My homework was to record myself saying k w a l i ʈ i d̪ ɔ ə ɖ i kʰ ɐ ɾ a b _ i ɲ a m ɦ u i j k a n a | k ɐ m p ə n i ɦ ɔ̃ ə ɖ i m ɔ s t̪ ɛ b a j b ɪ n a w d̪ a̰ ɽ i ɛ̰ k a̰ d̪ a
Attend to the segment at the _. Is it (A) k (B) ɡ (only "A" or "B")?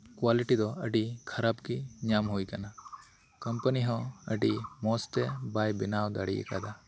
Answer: A